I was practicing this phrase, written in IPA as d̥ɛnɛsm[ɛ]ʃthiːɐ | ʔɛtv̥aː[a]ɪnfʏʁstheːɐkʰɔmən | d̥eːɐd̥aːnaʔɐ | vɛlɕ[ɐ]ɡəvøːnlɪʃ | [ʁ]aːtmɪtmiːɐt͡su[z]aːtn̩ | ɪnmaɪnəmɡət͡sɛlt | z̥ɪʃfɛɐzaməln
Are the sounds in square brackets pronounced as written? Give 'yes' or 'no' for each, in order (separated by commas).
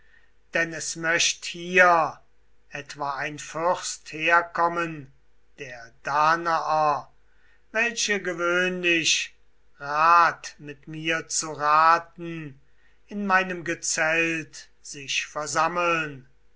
no, yes, no, yes, no